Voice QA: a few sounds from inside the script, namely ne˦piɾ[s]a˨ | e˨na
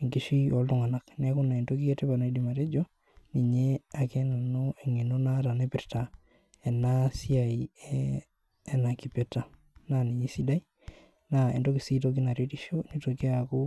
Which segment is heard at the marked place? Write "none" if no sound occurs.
t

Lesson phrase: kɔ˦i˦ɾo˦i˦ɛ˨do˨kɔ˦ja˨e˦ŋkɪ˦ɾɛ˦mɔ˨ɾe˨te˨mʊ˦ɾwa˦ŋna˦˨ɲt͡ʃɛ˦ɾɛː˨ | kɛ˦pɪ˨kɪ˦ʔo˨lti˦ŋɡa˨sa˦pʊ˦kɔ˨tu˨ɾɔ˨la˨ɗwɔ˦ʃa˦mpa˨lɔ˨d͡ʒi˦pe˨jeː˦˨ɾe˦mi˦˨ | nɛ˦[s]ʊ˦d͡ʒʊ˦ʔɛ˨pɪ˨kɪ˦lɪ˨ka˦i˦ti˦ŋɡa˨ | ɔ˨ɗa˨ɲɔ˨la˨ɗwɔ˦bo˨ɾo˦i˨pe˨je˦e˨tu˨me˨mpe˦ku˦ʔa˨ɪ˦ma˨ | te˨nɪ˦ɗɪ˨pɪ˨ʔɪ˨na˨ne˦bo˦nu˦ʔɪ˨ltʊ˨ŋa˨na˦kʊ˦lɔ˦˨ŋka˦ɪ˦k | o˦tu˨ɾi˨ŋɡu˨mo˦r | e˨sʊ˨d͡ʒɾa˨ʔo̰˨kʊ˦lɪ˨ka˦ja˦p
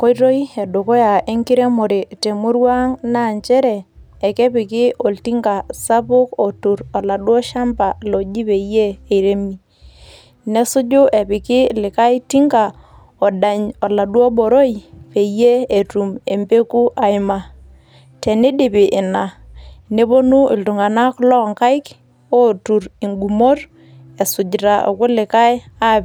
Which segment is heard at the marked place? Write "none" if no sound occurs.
s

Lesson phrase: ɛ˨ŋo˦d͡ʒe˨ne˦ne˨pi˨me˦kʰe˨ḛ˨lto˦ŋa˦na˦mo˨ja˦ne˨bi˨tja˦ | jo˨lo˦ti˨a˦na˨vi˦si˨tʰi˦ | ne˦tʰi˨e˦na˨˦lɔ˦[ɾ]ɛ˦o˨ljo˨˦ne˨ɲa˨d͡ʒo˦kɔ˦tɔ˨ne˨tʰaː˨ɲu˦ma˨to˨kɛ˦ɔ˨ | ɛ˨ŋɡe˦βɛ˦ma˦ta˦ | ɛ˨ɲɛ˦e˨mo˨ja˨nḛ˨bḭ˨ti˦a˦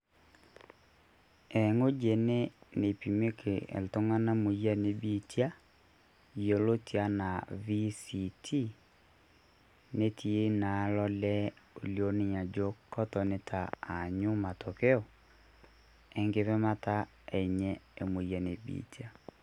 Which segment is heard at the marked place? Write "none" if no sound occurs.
l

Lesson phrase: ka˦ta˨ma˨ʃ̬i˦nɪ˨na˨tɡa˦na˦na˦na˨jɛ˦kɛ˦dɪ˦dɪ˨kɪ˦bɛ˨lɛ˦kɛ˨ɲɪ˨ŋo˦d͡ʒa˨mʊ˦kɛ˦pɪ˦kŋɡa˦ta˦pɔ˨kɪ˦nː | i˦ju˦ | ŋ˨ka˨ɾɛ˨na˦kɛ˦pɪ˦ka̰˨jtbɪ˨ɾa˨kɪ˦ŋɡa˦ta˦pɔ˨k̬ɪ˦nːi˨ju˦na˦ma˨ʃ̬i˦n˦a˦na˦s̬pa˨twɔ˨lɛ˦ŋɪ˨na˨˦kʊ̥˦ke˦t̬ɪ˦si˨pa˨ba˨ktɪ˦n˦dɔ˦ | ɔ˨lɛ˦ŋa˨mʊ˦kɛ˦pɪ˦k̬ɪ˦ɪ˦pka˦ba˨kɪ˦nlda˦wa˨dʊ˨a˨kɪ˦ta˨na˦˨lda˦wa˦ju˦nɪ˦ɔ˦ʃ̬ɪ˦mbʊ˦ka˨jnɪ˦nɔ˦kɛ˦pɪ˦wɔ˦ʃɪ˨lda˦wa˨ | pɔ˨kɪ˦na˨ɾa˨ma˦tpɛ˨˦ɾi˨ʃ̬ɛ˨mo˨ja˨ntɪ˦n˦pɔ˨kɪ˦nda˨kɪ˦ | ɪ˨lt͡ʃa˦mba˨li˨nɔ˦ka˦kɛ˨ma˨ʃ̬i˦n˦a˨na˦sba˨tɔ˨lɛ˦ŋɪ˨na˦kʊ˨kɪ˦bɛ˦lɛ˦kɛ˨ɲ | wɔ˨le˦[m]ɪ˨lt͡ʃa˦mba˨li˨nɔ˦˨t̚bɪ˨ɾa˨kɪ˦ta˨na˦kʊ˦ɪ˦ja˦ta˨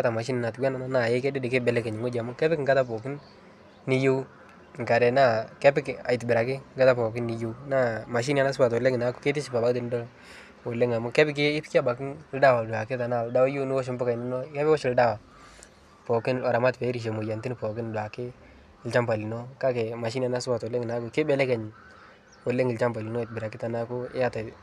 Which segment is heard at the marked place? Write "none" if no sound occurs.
ŋ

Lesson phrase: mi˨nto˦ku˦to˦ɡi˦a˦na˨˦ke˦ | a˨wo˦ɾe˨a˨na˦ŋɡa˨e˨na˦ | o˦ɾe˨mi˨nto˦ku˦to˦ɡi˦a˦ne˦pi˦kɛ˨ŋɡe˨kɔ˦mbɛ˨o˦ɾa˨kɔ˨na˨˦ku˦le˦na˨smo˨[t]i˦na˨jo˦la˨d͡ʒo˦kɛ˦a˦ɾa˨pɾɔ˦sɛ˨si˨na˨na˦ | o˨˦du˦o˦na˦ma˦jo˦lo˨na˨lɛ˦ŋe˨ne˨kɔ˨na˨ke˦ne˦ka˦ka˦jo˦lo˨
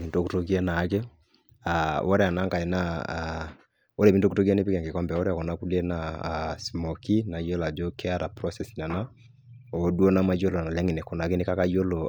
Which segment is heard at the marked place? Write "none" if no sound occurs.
k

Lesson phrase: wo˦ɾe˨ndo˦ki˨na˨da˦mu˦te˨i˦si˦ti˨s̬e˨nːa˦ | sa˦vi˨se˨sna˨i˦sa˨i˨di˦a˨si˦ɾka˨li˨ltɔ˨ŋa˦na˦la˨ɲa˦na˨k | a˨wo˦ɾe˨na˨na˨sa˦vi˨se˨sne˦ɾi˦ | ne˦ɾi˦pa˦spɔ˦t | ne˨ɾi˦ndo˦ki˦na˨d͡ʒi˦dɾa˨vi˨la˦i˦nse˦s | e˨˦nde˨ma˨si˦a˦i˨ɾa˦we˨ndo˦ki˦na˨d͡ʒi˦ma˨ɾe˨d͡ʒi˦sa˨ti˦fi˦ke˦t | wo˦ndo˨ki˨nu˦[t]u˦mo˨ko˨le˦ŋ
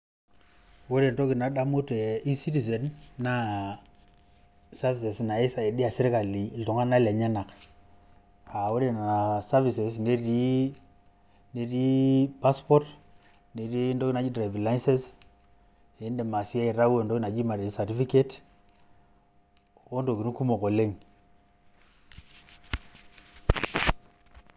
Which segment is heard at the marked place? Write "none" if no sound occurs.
k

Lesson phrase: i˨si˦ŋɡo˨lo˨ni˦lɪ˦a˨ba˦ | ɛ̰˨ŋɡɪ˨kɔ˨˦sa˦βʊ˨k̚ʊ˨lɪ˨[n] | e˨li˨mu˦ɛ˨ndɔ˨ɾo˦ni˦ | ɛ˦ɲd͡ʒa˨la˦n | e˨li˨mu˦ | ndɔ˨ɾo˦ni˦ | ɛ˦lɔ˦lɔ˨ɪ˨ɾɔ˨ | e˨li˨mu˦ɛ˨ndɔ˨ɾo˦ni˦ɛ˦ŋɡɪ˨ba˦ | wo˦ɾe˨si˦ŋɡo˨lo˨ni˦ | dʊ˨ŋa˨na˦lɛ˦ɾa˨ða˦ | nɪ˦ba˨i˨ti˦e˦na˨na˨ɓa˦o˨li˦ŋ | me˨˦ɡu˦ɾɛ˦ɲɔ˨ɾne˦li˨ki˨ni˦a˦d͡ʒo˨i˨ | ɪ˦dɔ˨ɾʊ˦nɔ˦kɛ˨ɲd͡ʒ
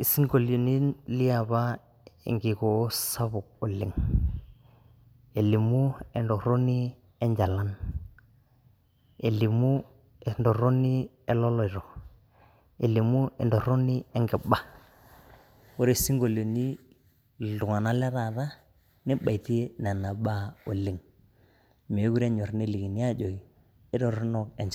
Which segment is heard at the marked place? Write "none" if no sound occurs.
ŋ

